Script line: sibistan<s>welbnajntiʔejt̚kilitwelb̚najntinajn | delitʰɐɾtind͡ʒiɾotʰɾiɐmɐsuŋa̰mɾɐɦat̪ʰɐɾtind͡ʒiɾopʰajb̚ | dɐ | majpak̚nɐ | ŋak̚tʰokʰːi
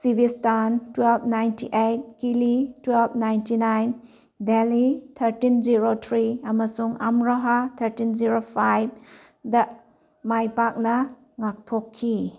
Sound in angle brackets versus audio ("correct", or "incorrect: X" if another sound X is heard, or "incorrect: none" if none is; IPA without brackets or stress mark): incorrect: t